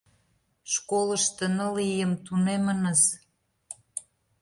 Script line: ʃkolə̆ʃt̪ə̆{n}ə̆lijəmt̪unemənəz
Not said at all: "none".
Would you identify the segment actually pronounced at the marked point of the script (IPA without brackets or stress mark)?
n